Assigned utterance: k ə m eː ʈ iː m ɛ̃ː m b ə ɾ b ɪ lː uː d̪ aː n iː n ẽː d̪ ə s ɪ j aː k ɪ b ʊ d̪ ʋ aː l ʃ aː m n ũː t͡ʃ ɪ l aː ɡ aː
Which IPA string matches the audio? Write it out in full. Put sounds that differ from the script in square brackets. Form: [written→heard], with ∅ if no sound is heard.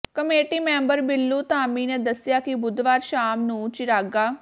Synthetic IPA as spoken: k ə m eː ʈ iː m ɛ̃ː m b ə ɾ b ɪ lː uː [d̪→t̪] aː [n→m] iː n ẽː d̪ ə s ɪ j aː k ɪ b ʊ d̪ ʋ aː [l→ɾ] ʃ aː m n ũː t͡ʃ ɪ [l→ɾ] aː ɡ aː